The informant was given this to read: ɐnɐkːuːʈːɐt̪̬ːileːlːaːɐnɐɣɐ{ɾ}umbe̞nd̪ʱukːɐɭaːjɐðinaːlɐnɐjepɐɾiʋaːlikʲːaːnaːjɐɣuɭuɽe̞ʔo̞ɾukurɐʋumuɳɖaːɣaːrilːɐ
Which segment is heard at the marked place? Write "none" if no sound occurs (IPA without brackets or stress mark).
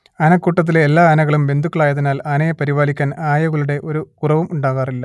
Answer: ɭ